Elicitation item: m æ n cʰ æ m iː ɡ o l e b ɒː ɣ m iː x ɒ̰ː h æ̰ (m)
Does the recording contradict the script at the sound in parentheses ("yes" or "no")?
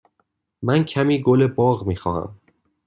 no